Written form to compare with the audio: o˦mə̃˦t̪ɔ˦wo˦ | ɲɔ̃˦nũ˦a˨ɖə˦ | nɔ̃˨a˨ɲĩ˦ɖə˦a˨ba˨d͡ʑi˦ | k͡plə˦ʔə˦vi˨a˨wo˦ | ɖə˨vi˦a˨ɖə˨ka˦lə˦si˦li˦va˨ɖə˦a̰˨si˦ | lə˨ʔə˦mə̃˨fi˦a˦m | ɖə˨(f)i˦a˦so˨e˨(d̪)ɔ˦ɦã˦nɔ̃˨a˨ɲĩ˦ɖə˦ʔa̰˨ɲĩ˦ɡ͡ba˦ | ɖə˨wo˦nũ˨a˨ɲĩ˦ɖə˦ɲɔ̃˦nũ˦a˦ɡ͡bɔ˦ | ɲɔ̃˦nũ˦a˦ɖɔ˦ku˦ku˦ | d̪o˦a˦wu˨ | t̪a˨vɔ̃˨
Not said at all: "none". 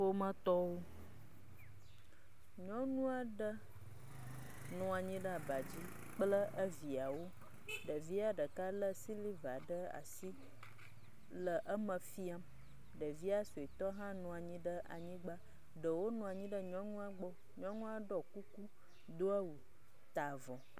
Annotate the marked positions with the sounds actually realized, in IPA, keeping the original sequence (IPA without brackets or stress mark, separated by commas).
v, t̪